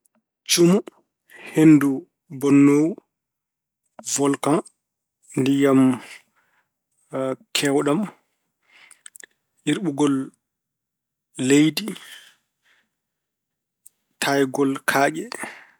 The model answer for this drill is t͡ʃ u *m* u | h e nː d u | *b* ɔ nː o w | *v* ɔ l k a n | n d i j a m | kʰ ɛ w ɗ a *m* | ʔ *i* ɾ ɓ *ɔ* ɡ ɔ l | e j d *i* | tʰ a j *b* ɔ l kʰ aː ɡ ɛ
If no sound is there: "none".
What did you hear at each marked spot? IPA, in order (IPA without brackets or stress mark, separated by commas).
m, b, v, m, i, u, i, ɡ